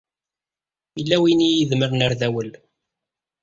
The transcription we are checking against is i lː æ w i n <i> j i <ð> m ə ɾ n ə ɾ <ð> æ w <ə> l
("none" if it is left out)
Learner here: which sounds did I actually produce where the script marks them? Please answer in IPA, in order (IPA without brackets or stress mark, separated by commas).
i, ð, ð, ə